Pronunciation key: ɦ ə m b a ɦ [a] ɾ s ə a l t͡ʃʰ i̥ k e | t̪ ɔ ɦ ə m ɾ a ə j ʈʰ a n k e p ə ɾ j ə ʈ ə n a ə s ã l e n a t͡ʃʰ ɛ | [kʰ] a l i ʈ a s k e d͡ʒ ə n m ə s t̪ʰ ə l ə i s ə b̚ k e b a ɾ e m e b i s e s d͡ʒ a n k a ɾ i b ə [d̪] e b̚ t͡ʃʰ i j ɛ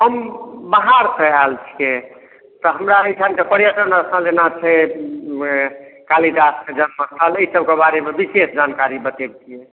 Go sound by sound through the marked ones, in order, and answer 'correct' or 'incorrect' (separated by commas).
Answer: correct, incorrect, incorrect